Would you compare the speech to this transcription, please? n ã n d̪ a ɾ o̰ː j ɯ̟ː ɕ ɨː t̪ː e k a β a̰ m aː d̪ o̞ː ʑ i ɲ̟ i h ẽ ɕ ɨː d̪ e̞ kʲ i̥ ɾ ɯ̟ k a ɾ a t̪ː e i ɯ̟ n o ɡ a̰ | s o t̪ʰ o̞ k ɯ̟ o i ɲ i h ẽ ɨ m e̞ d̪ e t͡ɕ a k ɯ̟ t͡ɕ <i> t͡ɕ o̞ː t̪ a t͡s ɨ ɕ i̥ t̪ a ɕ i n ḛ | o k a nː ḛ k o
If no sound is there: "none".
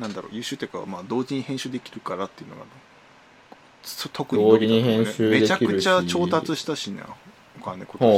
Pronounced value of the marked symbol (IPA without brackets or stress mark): a